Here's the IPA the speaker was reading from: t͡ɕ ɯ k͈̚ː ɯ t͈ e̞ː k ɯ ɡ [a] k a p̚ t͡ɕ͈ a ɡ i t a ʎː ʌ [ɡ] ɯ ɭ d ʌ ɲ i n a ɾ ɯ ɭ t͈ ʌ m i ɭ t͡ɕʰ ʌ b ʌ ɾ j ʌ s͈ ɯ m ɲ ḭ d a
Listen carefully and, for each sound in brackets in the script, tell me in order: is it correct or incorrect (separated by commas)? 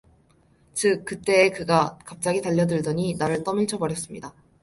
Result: correct, incorrect